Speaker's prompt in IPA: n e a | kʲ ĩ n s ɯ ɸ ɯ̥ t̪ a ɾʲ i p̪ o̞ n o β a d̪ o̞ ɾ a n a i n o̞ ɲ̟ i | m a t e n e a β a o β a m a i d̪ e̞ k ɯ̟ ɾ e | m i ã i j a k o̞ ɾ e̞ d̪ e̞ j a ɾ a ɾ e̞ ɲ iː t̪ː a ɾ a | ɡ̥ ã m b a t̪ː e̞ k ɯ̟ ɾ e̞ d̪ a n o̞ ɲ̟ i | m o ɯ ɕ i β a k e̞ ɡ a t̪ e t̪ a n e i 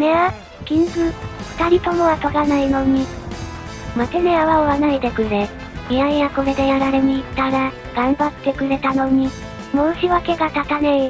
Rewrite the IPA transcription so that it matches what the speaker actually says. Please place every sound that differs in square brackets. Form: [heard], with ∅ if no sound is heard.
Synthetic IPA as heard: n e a | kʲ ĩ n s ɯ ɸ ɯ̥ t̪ a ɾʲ i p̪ o̞ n o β a [t̪] o̞ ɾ a n a i n o̞ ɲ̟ i | m a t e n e a β a o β a [n] a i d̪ e̞ k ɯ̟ ɾ e | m i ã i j a k o̞ ɾ e̞ d̪ e̞ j a ɾ a ɾ e̞ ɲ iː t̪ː a ɾ a | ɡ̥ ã m b a t̪ː e̞ k ɯ̟ ɾ e̞ [t̪] a n o̞ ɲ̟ i | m o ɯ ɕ i β a k e̞ ɡ a t̪ [a] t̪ a n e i